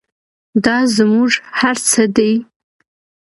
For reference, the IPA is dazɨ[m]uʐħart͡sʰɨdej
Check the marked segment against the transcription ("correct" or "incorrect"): correct